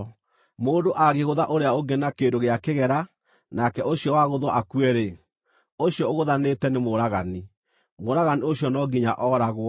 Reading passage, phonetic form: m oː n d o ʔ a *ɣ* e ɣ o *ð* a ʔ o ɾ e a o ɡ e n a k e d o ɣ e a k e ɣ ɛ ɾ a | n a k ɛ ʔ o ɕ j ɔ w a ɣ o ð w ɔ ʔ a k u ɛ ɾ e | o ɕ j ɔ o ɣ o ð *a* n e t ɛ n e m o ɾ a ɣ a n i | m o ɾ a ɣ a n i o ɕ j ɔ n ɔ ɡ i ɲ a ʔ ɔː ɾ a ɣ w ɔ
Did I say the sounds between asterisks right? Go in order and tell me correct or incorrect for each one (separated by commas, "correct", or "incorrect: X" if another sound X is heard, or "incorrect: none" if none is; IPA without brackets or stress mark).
correct, correct, correct